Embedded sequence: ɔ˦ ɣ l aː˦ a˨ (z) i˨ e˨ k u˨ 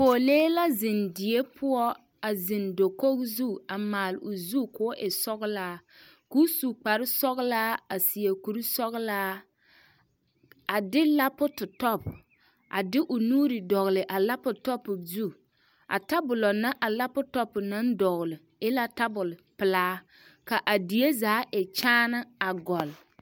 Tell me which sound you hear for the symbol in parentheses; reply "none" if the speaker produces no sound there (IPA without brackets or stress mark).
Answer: s